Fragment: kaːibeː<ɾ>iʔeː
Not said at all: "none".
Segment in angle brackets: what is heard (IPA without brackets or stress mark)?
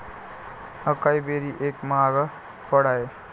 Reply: ɾ